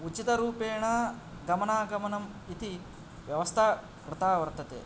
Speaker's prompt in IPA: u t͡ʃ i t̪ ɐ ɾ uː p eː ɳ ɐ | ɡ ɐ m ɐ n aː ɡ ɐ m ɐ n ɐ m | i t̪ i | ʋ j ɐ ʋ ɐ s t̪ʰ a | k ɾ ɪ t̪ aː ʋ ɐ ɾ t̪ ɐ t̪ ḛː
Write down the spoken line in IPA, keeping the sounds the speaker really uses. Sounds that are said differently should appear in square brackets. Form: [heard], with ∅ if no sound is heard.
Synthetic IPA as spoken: u t͡ʃ i t̪ ɐ ɾ uː p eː ɳ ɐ | ɡ ɐ m ɐ n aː ɡ ɐ m ɐ n ɐ m | i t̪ i | ʋ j ɐ ʋ ɐ s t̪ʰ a | k ɾ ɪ t̪ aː ʋ ɐ ɾ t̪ ɐ t̪ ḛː

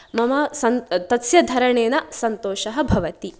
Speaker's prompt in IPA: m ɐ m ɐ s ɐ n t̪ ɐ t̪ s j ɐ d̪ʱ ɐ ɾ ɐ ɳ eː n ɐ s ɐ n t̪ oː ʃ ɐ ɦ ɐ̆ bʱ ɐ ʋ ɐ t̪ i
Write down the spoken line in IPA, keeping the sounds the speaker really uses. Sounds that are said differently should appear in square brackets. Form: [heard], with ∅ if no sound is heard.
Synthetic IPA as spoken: m ɐ m ɐ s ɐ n t̪ ɐ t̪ s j ɐ d̪ʱ ɐ ɾ ɐ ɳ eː n ɐ s ɐ n t̪ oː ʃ ɐ ɦ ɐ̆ bʱ ɐ ʋ ɐ t̪ i

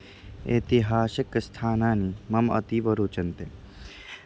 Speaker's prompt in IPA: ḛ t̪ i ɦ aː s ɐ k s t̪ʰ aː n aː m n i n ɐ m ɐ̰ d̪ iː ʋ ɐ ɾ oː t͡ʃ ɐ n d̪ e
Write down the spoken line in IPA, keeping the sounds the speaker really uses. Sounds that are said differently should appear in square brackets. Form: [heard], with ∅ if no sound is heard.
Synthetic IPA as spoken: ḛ t̪ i ɦ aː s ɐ k s t̪ʰ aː n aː [∅] n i [m] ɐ m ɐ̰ [t̪] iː ʋ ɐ ɾ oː t͡ʃ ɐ n [t̪] e

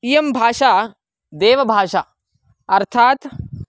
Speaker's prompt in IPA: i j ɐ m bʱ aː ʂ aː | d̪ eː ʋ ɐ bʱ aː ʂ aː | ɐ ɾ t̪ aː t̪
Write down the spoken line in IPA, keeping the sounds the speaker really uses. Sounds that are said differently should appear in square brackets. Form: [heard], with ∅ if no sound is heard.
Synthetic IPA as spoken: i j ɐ m bʱ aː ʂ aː | d̪ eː ʋ ɐ bʱ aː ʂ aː | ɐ ɾ [t̪ʰ] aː t̪

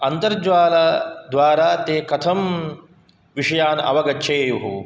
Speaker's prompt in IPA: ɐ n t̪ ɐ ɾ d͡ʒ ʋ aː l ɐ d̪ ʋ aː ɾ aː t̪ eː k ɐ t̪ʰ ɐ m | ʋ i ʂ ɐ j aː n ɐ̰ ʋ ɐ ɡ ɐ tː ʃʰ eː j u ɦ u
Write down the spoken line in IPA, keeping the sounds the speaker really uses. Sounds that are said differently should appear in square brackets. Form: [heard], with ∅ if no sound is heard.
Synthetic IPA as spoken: ɐ n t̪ ɐ ɾ d͡ʒ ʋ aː l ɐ d̪ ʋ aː ɾ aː t̪ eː k ɐ t̪ʰ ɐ m | ʋ i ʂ ɐ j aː n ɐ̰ ʋ ɐ ɡ ɐ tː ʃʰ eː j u ɦ u

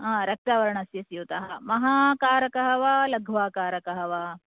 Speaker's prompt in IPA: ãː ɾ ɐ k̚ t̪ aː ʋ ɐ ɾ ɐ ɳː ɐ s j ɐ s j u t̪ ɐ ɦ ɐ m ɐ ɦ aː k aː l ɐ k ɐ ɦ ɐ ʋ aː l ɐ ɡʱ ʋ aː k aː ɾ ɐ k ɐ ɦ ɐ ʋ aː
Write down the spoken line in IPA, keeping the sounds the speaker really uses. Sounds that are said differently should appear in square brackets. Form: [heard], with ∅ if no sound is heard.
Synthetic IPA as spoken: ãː ɾ ɐ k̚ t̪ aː ʋ ɐ ɾ ɐ [ɳ] ɐ s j ɐ s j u t̪ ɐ ɦ ɐ m ɐ ɦ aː k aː [ɾ] ɐ k ɐ ɦ ɐ ʋ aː l ɐ ɡʱ ʋ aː k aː ɾ ɐ k ɐ ɦ ɐ ʋ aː

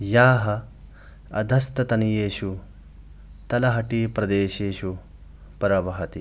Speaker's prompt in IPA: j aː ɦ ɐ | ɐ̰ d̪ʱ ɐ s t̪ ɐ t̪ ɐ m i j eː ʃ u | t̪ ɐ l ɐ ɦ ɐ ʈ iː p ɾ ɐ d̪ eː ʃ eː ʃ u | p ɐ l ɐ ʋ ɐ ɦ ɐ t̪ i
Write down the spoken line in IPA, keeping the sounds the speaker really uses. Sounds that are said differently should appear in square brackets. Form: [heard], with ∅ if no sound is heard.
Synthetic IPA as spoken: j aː ɦ ɐ | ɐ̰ d̪ʱ ɐ s t̪ ɐ t̪ ɐ [n] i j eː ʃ u | t̪ ɐ l ɐ ɦ ɐ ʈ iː p ɾ ɐ d̪ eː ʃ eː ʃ u | p ɐ [ɾ] ɐ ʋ ɐ ɦ ɐ t̪ i

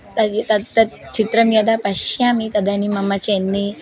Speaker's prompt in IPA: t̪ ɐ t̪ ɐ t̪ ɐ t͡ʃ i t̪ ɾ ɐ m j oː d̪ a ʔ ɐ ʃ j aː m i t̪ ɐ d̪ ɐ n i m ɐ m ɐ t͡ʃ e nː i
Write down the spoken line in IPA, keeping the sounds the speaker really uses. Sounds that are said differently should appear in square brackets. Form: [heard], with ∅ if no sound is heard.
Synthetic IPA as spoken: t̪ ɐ t̪ ɐ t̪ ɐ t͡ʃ i t̪ ɾ ɐ m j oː d̪ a [p] ɐ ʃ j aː m i t̪ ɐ d̪ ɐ n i m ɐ m ɐ t͡ʃ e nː i

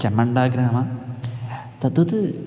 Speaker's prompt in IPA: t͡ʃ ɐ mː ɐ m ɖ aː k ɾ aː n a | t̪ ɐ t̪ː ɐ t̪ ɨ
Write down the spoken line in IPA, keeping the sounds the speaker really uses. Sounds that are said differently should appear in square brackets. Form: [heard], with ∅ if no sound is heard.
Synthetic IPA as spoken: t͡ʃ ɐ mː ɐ [ɳ] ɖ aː [ɡ] ɾ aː [m] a | t̪ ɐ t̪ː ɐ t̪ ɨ

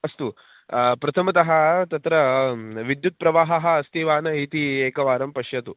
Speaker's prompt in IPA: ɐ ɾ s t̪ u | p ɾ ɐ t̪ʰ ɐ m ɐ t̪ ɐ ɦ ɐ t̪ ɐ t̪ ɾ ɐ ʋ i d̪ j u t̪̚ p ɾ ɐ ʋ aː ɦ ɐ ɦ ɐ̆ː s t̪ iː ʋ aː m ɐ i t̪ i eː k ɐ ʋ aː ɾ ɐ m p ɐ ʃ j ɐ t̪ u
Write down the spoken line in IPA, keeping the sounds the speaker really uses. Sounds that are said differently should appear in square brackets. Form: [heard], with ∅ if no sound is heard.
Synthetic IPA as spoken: ɐ [∅] s t̪ u | p ɾ ɐ t̪ʰ ɐ m ɐ t̪ ɐ ɦ ɐ t̪ ɐ t̪ ɾ ɐ ʋ i d̪ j u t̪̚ p ɾ ɐ ʋ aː ɦ ɐ ɦ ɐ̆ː s t̪ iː ʋ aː [n] ɐ i t̪ i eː k ɐ ʋ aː ɾ ɐ m p ɐ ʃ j ɐ t̪ u

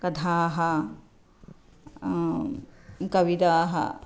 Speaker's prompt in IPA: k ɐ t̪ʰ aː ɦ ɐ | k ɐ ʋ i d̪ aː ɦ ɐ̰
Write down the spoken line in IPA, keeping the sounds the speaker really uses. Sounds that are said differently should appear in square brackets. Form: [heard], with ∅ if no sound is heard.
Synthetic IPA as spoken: k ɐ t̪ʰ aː ɦ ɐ | k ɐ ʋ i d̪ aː ɦ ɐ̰

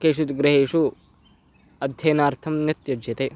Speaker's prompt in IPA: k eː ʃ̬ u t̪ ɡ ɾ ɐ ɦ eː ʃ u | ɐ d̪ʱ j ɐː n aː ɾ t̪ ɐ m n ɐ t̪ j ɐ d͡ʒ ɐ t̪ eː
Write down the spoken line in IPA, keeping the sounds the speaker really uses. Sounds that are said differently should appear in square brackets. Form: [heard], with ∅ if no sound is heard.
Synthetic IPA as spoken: k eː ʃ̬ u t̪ ɡ ɾ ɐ ɦ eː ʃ u | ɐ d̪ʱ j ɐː n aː ɾ [t̪ʰ] ɐ m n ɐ t̪ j ɐ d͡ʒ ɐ t̪ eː

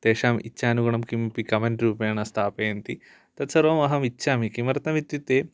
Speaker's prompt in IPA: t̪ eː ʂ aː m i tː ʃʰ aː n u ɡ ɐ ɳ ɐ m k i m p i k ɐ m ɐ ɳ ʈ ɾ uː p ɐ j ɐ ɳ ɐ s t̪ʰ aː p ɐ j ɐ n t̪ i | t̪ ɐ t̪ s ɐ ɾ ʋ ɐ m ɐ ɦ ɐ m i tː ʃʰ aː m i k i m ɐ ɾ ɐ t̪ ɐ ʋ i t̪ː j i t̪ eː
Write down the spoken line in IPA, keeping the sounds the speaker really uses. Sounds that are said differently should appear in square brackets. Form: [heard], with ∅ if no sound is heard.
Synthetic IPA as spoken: t̪ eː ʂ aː m i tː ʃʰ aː n u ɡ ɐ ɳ ɐ m k i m p i k ɐ m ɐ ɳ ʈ ɾ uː p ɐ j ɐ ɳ ɐ s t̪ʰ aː p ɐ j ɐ n t̪ i | t̪ ɐ t̪ s ɐ ɾ ʋ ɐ m ɐ ɦ ɐ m i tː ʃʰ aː m i k i m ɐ ɾ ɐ t̪ ɐ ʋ i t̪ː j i t̪ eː

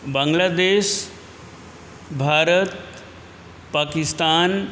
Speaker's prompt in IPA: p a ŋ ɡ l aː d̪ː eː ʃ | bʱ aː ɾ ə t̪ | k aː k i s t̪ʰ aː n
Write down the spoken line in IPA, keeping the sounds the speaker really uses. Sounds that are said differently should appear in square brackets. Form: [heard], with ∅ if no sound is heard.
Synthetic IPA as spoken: [b] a ŋ ɡ l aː [d̪] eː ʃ | bʱ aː ɾ ə t̪ | [p] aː k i s [t̪] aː n

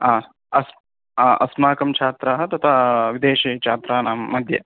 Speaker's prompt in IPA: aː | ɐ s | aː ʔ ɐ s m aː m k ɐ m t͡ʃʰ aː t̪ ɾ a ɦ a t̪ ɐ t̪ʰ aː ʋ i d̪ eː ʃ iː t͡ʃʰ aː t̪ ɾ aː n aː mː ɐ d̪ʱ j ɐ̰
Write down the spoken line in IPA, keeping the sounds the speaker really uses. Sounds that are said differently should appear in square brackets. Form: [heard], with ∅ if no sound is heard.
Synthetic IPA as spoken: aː | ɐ s | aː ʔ ɐ s m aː [∅] k ɐ m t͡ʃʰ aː t̪ ɾ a ɦ [ɐ] t̪ ɐ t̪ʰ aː ʋ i d̪ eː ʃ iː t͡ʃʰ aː t̪ ɾ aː n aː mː ɐ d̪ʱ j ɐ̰

